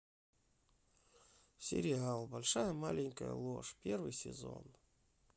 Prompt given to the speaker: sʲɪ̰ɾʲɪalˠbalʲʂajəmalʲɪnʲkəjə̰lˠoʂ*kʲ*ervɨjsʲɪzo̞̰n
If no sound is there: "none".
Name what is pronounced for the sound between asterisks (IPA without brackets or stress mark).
pʲ